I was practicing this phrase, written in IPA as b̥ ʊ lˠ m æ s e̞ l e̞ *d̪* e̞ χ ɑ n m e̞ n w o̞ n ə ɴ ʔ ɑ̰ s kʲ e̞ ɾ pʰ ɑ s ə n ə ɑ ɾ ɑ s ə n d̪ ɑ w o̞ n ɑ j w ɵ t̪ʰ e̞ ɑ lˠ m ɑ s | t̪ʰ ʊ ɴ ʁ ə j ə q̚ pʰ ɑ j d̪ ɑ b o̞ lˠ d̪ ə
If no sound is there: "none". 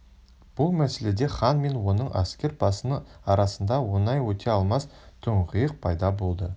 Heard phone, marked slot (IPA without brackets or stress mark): d̪